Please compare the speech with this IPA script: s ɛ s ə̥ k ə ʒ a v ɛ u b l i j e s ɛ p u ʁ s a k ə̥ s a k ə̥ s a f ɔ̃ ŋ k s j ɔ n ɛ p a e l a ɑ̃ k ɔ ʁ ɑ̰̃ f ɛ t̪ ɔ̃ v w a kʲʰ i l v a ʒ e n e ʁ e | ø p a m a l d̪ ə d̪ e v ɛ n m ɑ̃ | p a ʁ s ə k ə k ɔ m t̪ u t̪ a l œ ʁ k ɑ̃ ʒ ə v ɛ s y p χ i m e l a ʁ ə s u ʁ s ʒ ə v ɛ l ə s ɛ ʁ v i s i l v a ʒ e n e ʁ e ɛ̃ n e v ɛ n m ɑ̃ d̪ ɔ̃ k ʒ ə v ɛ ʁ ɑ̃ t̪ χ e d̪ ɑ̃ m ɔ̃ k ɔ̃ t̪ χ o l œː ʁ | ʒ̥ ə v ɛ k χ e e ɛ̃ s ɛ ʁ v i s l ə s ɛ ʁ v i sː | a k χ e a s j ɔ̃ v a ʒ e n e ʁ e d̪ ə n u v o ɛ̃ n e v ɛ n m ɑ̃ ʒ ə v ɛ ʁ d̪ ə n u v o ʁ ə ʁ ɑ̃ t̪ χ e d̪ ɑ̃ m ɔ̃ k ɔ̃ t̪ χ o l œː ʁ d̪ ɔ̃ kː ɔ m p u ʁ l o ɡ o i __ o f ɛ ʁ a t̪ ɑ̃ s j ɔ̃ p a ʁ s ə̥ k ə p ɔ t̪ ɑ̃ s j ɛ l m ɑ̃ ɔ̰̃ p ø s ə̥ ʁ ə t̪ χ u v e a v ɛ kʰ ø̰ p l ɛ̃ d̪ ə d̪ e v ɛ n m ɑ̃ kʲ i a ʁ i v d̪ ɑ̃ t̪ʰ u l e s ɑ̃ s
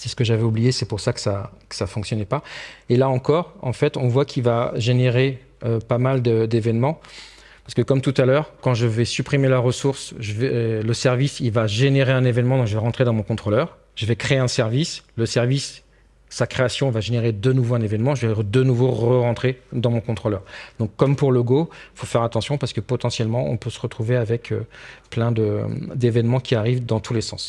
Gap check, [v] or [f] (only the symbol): f